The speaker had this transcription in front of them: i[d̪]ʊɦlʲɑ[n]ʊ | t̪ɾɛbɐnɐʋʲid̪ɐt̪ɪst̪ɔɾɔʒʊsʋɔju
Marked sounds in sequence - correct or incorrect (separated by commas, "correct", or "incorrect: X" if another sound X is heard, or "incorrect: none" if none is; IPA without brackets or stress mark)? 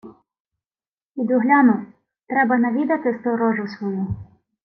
correct, correct